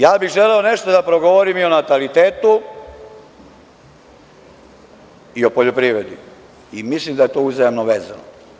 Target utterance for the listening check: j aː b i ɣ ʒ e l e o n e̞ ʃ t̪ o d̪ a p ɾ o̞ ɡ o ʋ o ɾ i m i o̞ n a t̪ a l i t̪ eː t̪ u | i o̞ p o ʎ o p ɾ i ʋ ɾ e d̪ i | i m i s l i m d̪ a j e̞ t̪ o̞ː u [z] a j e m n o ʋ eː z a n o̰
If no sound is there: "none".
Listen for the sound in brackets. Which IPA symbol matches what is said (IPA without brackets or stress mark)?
z